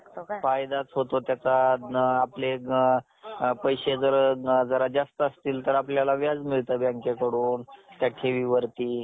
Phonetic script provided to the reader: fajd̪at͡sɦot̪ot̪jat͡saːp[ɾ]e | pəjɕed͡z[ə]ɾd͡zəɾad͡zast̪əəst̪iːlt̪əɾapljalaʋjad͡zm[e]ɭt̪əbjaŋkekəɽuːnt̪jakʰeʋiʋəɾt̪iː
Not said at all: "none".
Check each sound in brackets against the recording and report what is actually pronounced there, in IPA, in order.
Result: l, ə, i

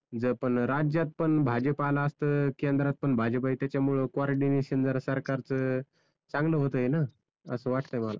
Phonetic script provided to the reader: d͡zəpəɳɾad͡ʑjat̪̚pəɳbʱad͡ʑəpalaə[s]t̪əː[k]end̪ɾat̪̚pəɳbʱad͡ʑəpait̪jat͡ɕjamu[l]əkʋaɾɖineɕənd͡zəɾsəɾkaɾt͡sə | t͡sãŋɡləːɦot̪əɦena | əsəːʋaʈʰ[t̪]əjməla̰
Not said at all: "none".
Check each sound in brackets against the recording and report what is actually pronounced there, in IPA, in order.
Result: s, k, ɭ, t̪

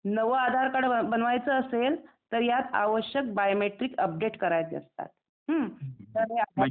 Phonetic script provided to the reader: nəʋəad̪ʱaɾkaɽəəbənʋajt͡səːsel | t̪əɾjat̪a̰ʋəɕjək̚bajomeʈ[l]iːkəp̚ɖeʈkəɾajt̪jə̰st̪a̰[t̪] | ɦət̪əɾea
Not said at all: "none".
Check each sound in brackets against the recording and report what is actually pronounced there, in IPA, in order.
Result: ɾ, t̪

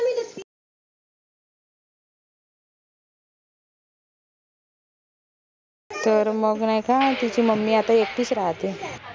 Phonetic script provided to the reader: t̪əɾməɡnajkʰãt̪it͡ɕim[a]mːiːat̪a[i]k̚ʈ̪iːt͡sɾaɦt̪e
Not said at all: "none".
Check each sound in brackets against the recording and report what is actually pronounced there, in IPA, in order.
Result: ə, e

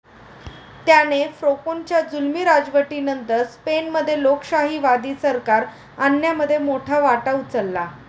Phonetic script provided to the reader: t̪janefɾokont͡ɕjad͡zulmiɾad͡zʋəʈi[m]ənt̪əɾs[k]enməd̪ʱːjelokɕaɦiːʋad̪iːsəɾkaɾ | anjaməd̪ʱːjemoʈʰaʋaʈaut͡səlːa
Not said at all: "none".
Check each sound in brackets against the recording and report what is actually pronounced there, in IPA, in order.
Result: n, p

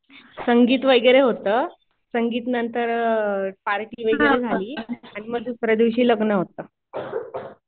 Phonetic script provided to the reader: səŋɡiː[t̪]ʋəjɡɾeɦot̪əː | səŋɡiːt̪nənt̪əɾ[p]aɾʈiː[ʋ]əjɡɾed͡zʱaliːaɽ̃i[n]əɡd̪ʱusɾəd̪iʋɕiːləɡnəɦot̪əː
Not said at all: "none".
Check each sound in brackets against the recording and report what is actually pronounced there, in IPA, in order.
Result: t̪, p, ʋ, m

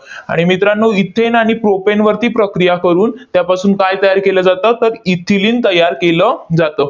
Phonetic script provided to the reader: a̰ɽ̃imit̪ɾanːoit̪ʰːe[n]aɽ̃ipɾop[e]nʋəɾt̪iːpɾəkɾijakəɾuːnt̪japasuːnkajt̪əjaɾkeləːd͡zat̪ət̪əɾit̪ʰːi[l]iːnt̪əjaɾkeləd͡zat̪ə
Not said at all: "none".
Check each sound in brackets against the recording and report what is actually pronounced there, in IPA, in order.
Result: n, e, l

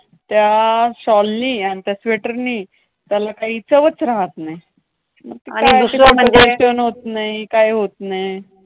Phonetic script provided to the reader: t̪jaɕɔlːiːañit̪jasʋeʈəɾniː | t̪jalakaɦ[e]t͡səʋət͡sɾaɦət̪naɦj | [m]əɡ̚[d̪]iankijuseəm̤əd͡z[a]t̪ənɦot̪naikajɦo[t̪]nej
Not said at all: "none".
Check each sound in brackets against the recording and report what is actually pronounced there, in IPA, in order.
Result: i, m, t̪, e, t̪

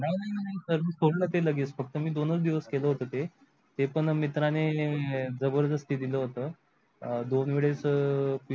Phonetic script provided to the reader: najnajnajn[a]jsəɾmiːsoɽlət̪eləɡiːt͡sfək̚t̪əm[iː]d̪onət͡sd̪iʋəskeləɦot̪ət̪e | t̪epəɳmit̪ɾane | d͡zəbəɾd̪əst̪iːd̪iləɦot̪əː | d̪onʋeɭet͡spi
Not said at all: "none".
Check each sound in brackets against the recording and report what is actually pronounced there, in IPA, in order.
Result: a, iː

